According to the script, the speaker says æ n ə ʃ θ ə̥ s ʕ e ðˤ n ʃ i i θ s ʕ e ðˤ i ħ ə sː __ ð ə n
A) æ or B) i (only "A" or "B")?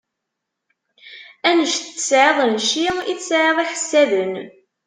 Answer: A